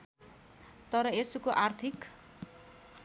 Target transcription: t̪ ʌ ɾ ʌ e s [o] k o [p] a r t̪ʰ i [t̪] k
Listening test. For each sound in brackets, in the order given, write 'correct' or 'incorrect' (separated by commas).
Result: incorrect, incorrect, incorrect